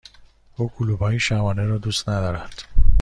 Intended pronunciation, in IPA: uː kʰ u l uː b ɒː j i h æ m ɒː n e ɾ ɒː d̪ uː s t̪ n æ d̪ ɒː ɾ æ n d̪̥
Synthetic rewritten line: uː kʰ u l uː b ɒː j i ʃ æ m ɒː n e ɾ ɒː d̪ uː s t̪ n æ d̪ ɒː ɾ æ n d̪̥